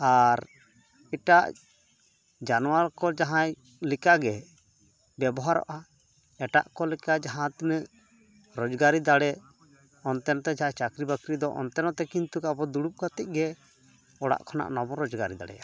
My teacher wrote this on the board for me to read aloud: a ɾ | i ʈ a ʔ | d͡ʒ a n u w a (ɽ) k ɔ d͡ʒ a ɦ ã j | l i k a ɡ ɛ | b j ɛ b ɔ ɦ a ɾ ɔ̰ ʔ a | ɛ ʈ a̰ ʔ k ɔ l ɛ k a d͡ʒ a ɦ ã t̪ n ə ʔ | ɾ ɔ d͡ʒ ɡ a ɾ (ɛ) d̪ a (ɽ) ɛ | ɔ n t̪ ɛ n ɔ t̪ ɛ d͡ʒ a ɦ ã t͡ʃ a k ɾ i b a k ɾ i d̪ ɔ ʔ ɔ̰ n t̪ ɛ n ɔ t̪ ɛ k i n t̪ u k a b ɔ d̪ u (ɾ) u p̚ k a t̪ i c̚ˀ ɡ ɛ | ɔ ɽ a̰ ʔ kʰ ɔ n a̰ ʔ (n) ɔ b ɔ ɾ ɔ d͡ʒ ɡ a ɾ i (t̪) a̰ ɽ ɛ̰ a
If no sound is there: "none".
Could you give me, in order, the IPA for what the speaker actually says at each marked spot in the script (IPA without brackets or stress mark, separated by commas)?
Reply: ɾ, i, ɽ, ɽ, n, d̪